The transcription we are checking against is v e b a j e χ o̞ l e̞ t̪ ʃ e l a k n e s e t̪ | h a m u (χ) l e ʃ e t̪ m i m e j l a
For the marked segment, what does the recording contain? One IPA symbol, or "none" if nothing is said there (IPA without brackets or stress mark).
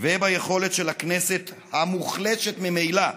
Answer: χ